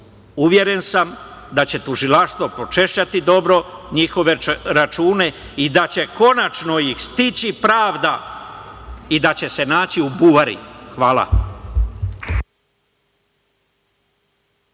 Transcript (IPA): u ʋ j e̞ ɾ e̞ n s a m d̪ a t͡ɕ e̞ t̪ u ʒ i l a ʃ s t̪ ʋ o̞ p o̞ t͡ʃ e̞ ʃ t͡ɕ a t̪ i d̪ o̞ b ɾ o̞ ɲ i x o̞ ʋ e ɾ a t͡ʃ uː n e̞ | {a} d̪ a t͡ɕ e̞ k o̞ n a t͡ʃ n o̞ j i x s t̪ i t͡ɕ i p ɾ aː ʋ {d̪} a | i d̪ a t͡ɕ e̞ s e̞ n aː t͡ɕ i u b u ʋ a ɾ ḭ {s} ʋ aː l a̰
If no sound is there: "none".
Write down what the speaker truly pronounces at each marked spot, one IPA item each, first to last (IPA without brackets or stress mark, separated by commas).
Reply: i, d̪, x